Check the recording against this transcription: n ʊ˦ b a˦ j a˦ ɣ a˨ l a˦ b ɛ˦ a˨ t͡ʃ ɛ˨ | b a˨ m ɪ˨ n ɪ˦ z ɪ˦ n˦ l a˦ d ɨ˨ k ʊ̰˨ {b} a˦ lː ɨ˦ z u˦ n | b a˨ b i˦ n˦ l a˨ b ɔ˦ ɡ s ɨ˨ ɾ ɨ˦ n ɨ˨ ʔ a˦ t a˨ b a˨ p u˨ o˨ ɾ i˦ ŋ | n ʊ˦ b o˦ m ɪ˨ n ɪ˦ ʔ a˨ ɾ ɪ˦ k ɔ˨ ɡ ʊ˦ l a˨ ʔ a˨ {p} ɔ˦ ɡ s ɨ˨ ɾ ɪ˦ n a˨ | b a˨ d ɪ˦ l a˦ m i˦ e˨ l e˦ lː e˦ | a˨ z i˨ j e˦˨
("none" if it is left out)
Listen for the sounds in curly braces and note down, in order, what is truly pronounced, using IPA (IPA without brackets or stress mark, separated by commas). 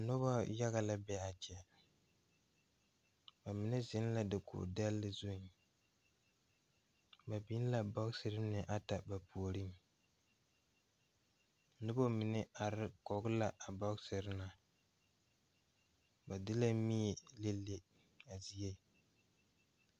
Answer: d, b